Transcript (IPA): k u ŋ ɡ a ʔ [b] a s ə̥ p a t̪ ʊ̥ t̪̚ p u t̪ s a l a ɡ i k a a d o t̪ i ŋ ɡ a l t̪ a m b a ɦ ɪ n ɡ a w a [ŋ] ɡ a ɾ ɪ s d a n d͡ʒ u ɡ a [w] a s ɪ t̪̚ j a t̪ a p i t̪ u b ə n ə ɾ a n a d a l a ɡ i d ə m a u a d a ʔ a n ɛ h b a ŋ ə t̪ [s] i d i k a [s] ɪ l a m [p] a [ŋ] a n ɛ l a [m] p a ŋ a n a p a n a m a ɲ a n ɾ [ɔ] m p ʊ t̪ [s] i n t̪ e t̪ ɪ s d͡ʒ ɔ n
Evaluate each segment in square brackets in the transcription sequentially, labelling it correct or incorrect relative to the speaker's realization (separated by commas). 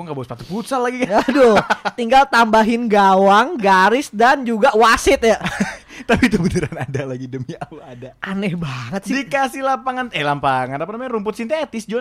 correct, correct, correct, correct, correct, correct, correct, correct, incorrect, correct